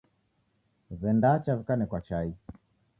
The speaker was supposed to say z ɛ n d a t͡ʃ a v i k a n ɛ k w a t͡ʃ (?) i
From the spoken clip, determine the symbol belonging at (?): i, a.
a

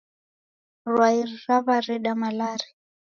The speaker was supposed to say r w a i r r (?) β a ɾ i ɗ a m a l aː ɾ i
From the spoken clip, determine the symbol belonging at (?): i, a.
a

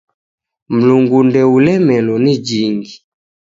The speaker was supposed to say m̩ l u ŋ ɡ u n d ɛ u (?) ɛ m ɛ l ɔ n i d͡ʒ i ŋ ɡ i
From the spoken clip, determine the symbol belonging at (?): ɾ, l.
l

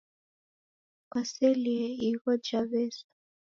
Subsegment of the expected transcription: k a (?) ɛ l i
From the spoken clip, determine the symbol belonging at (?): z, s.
s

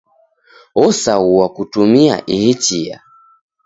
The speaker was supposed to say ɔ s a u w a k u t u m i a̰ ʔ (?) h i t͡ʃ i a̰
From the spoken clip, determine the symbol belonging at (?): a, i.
i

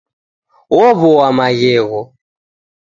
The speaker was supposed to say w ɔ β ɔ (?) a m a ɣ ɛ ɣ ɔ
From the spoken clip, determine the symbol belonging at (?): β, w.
w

